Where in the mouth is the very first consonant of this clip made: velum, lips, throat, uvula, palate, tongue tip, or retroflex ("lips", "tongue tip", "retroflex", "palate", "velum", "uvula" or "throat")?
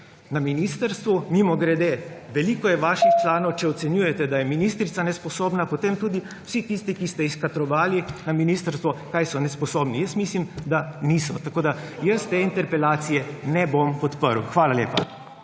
tongue tip